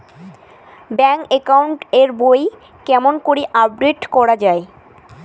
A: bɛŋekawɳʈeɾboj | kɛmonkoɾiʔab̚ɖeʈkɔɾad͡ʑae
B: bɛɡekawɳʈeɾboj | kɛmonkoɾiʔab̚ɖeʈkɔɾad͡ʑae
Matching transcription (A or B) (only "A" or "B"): A